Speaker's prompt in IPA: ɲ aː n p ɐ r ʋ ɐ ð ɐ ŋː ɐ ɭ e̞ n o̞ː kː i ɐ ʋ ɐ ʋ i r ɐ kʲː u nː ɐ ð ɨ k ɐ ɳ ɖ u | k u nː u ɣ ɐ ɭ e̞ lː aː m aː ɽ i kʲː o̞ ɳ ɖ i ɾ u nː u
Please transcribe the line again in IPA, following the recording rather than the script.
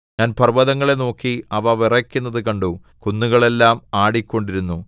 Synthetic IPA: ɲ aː n p ɐ r ʋ ɐ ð ɐ ŋː ɐ ɭ e̞ n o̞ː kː i ɐ ʋ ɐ ʋ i r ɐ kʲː u nː ɐ ð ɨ k ɐ ɳ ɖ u | k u nː u ɣ ɐ ɭ e̞ lː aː m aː ɽ i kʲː o̞ ɳ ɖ i ɾ u nː u